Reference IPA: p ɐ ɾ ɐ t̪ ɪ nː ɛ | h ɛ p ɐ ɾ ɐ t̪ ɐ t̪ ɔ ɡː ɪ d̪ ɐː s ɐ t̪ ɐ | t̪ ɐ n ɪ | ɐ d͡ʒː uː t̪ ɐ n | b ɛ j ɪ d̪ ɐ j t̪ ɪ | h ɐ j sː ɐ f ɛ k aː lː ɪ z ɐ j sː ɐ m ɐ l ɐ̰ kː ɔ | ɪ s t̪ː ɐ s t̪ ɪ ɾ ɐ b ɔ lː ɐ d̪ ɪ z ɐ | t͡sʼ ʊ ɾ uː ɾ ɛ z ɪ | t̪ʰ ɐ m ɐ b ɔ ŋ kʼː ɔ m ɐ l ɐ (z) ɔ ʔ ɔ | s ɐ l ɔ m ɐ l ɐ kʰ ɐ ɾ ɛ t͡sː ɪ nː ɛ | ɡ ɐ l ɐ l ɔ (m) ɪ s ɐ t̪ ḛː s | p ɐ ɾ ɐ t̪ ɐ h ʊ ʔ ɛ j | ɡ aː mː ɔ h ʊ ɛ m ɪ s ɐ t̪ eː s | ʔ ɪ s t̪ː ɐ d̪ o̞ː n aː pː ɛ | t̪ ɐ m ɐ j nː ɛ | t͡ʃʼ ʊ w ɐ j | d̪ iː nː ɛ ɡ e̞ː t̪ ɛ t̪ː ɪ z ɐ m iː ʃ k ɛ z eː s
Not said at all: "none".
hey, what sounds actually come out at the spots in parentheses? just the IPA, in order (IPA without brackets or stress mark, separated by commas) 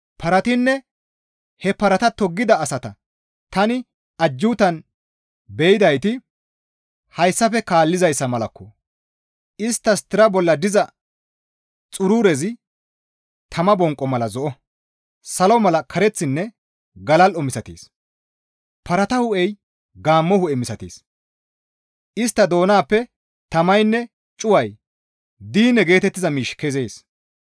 z, m